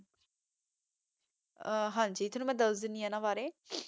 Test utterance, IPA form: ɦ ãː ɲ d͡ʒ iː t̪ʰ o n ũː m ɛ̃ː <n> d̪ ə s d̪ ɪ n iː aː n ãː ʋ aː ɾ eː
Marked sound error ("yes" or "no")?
yes